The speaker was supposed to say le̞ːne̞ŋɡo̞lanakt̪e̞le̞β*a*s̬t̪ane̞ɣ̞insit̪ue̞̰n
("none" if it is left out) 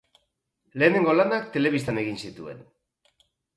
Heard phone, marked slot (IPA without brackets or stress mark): i